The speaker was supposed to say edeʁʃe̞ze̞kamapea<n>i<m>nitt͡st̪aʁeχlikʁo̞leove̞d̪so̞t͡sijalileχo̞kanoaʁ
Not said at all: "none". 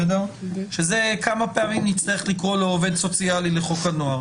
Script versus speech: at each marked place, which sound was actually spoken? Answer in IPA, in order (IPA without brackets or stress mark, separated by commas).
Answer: m, m